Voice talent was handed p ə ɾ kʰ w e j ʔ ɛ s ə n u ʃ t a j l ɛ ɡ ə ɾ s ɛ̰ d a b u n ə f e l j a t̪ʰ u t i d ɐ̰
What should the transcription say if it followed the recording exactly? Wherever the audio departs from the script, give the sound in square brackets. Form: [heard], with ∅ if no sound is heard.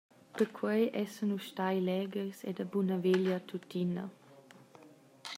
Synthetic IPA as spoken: p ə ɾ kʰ w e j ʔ ɛ s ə n u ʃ t a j l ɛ ɡ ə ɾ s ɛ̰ d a b u n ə [v] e l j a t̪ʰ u t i [n] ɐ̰